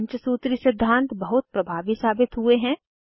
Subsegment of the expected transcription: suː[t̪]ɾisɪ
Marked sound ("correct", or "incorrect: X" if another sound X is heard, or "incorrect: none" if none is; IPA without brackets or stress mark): correct